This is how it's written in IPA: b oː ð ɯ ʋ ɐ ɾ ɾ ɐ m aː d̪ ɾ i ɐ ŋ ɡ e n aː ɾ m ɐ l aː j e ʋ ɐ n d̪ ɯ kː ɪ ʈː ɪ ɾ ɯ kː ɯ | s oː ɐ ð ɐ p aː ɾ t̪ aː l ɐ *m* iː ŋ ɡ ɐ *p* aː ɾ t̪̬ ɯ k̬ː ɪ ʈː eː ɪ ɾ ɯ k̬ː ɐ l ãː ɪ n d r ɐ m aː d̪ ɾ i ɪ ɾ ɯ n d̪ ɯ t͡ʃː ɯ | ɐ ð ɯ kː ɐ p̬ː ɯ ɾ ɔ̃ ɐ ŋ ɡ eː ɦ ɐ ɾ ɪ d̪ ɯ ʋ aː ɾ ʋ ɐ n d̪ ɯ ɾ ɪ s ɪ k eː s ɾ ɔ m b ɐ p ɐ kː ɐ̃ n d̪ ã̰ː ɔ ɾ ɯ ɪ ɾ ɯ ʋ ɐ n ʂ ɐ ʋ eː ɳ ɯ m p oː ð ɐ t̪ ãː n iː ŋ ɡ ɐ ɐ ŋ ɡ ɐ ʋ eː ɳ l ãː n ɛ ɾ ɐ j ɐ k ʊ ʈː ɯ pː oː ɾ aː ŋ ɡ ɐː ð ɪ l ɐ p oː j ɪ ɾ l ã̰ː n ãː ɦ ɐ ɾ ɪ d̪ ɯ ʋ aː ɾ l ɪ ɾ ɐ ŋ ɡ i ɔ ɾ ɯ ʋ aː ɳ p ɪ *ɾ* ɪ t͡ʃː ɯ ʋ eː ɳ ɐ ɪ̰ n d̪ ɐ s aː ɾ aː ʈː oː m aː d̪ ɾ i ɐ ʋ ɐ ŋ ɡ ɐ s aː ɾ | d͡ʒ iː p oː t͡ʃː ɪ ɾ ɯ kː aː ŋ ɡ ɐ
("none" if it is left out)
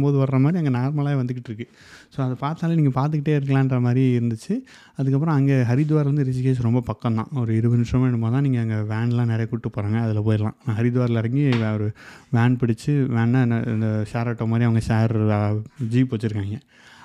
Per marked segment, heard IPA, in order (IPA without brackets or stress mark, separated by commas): n, p, ɽ